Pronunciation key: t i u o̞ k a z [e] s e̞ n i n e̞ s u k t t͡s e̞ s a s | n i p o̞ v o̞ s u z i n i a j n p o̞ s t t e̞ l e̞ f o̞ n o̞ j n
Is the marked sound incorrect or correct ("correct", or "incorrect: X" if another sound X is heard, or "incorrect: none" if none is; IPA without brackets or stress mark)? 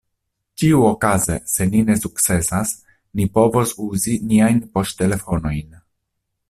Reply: correct